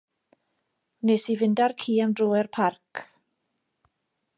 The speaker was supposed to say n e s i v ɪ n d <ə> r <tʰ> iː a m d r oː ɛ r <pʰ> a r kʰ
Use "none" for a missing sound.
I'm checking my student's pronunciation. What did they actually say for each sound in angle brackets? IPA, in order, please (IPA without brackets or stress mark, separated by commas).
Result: a, kʰ, pʰ